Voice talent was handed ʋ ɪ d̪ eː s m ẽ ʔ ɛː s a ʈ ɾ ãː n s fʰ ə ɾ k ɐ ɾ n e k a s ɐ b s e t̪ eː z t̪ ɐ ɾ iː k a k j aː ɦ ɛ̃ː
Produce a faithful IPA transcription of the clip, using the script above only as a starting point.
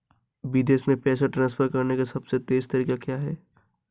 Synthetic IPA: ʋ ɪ d̪ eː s m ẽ p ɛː s a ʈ ɾ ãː n s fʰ ə ɾ k ɐ ɾ n e k a s ɐ b s e t̪ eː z t̪ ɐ ɾ iː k a k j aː ɦ ɛː